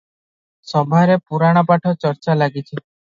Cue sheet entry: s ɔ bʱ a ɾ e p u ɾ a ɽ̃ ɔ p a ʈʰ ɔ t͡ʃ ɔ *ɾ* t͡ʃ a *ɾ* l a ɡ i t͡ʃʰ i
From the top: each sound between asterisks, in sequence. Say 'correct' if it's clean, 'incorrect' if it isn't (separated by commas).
correct, incorrect